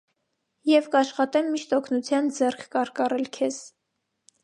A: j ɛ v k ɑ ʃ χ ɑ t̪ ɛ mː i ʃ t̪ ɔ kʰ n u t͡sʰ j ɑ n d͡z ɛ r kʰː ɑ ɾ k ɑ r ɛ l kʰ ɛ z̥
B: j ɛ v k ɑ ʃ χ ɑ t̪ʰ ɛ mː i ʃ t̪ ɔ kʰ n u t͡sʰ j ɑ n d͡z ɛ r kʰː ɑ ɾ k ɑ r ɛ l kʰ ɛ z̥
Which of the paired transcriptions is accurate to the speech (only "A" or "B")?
A